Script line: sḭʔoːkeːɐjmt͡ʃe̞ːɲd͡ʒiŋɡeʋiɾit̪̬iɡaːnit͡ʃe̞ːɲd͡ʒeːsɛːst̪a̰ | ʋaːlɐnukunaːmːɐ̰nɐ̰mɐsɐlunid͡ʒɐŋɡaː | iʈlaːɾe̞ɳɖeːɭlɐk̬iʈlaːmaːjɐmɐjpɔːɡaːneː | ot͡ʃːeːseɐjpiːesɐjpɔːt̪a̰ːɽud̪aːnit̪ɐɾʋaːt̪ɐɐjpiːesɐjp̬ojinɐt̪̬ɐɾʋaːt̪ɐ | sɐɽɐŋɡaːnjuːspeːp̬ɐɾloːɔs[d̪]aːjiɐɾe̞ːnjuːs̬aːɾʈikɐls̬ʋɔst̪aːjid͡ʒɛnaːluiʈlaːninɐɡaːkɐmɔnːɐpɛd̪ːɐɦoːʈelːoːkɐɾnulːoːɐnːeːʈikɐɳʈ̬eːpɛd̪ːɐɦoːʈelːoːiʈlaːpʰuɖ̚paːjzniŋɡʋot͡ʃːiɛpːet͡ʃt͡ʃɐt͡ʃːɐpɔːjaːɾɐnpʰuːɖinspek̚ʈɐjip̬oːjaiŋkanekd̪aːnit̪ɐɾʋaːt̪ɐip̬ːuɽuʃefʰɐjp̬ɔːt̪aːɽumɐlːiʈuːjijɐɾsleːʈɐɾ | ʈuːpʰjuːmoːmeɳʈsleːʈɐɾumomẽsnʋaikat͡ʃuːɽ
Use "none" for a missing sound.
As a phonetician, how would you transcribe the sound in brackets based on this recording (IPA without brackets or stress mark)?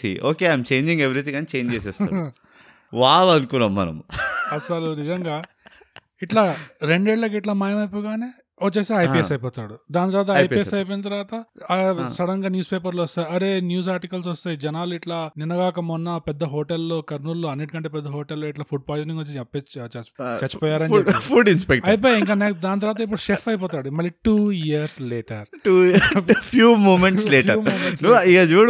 t̪